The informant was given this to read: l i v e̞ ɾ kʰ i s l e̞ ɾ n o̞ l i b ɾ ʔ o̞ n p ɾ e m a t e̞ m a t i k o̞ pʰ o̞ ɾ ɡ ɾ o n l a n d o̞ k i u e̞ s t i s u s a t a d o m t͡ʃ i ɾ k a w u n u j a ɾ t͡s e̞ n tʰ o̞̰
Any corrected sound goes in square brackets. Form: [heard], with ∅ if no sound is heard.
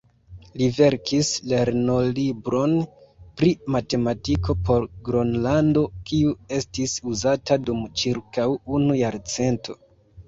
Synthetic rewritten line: l i v e̞ ɾ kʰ i s l e̞ ɾ n o̞ l i b ɾ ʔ o̞ n p ɾ [i] m a t e̞ m a t i k o̞ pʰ o̞ ɾ ɡ ɾ o n l a n d o̞ k i u e̞ s t i s u [z] a t a d [u] m t͡ʃ i ɾ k a w u n u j a ɾ t͡s e̞ n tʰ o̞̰